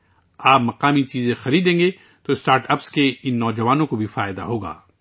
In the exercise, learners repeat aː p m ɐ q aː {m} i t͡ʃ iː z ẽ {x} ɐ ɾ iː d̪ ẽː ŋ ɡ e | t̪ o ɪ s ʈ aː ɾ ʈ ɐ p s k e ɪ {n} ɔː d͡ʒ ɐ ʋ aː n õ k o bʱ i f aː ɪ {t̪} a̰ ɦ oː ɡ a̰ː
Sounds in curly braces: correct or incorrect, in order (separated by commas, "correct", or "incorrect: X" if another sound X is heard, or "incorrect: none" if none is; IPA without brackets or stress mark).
correct, correct, incorrect: nː, incorrect: d̪